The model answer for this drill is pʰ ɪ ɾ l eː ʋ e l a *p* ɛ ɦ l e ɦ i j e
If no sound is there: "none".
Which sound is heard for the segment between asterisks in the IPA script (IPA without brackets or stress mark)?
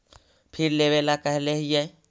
k